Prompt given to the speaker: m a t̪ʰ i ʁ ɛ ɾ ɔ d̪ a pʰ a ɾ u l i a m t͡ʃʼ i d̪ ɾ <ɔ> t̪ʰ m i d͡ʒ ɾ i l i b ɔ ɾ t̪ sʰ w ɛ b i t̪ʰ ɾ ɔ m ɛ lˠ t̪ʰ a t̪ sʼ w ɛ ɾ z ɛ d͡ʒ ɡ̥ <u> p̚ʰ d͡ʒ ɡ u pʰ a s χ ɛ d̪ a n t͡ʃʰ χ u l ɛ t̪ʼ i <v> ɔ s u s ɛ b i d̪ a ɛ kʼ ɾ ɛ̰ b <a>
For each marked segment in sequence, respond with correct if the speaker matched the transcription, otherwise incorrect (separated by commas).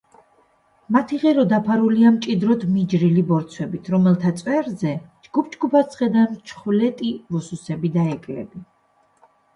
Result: correct, correct, correct, incorrect